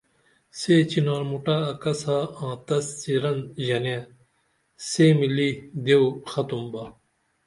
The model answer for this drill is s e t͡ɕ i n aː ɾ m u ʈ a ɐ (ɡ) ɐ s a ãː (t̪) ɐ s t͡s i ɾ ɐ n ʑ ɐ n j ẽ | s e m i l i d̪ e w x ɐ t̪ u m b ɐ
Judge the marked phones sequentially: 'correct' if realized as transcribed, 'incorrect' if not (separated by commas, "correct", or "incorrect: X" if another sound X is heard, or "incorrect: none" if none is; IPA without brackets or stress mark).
incorrect: k, correct